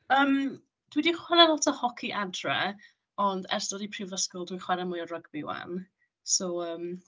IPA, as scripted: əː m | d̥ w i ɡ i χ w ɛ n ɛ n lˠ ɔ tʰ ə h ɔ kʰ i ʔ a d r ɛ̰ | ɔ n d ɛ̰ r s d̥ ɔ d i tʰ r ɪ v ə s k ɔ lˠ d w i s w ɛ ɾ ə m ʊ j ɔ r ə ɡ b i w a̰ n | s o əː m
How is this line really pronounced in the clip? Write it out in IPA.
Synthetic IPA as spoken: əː m | d̥ w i d i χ w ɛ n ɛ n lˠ ɔ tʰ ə h ɔ kʰ i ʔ a d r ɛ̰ | ɔ n d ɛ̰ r s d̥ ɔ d i pʰ r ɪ v ə s k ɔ lˠ d w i χ w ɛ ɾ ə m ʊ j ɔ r ə ɡ b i w a̰ n | s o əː m